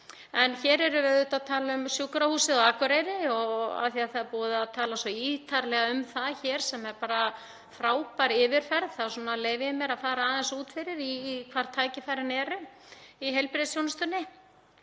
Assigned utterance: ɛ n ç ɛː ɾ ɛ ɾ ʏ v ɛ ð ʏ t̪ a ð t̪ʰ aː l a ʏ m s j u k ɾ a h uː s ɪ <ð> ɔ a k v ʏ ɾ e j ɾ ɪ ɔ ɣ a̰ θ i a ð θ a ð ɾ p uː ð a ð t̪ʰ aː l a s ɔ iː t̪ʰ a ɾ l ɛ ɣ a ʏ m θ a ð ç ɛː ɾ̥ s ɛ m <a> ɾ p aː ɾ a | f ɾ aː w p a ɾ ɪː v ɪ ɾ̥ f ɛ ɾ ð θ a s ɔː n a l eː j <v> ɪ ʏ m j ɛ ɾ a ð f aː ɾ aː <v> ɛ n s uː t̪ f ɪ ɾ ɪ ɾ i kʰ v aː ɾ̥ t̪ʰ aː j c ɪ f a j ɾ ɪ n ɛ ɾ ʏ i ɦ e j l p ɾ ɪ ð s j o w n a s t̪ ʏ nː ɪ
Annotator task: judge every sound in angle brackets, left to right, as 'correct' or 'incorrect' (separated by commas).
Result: correct, incorrect, correct, incorrect